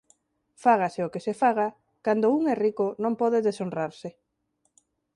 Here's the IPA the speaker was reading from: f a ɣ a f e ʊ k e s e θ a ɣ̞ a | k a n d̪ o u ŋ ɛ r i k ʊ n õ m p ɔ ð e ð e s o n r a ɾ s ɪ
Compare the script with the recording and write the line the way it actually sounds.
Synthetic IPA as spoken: f a ɣ a s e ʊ k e s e f a ɣ̞ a | k a n d̪ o u ŋ ɛ r i k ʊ n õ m p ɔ ð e ð e s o n r a ɾ s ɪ